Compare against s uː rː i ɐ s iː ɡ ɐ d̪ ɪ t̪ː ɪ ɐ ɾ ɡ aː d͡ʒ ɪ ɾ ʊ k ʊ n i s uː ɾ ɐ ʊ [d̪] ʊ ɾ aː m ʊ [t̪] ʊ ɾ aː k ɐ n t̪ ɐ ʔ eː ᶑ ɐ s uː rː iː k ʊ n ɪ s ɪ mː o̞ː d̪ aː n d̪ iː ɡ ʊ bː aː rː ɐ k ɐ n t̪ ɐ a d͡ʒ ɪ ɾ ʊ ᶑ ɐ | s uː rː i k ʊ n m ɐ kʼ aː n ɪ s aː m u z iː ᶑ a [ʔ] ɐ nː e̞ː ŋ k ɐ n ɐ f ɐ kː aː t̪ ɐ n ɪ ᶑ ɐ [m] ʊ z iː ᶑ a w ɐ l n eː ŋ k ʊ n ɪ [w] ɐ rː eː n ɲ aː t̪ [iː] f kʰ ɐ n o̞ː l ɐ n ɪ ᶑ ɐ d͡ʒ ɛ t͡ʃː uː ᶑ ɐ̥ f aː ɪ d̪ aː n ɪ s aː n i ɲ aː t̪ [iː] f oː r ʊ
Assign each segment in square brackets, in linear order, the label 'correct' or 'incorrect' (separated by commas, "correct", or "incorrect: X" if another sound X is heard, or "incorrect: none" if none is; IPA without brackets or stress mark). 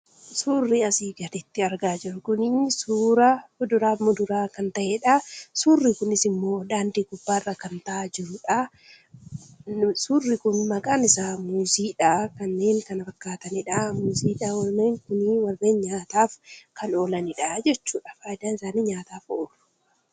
correct, incorrect: d̪, incorrect: k, correct, correct, incorrect: aː, incorrect: aː